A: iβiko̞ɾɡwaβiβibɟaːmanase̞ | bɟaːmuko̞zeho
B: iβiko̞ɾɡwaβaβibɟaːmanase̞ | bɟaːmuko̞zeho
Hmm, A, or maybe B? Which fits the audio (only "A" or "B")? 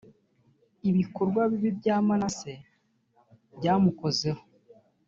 A